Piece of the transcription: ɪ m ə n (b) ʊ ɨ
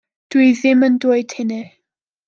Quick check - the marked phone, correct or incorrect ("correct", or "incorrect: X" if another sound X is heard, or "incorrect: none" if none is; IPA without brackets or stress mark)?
incorrect: d